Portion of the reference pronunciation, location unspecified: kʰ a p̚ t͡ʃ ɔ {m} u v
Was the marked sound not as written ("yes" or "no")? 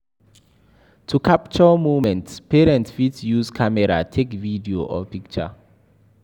no